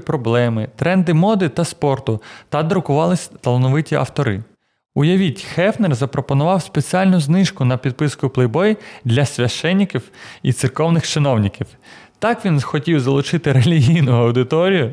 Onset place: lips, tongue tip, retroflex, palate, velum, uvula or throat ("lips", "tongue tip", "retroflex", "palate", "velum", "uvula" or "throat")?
lips